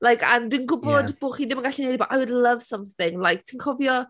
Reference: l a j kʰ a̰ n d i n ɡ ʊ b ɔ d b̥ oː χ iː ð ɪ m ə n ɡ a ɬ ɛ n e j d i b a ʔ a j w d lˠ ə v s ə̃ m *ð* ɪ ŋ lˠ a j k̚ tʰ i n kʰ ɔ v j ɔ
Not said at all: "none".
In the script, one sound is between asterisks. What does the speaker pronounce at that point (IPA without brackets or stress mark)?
θ